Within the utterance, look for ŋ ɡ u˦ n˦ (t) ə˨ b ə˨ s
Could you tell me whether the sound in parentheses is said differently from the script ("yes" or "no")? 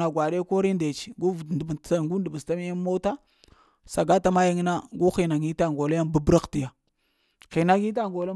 yes